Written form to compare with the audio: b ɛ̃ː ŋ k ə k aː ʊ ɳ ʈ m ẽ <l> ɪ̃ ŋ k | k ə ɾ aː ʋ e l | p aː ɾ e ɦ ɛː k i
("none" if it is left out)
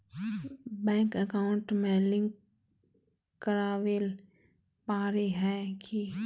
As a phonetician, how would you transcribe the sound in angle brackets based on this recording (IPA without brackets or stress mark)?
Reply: l